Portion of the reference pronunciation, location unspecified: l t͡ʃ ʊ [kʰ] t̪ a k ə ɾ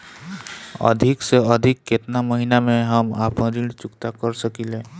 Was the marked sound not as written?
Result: yes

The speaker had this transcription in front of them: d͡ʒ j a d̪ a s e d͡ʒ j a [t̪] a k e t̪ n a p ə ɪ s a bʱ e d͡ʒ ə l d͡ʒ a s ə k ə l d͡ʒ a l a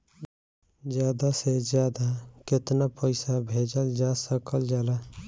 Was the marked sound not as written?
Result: yes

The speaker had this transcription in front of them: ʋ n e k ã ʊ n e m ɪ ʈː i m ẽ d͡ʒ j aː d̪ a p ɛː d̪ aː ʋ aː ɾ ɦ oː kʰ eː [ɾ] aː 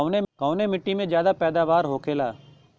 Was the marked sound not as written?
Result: yes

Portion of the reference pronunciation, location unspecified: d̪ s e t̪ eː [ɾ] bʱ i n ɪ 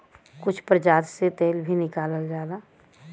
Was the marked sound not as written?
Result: yes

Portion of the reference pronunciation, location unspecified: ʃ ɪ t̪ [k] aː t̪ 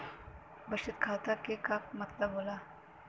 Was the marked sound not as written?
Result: yes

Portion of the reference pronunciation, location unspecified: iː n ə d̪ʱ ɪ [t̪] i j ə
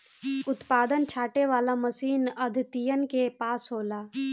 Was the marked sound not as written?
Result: no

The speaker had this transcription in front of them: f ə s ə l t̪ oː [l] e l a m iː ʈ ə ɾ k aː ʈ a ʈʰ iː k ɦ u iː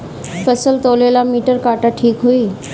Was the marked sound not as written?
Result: no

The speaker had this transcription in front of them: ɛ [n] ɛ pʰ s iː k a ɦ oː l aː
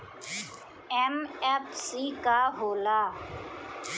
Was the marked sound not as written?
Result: yes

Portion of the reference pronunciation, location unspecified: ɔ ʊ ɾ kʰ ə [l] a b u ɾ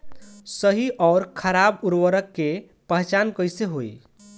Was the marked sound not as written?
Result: yes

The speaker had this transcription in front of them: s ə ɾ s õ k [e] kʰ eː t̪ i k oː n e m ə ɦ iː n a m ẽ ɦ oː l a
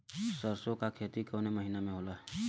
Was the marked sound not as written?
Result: yes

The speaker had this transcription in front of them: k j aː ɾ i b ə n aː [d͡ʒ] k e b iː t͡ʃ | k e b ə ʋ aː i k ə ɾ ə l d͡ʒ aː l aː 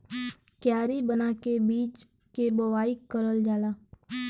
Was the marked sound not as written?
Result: yes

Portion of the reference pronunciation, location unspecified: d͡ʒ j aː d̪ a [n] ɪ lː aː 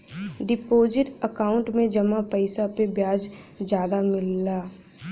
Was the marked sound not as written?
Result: yes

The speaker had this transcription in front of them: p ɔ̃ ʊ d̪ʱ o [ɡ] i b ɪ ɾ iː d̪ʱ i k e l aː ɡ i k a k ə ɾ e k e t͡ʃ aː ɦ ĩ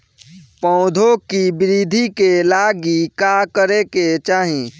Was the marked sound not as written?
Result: yes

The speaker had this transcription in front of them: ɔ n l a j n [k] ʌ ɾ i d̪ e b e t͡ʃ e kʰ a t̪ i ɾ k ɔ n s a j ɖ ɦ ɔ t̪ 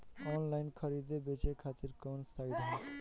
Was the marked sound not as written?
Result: yes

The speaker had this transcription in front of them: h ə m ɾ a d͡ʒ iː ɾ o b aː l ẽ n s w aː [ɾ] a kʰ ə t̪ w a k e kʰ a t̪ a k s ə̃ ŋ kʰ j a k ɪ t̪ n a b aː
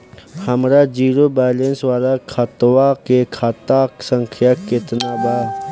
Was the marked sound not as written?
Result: yes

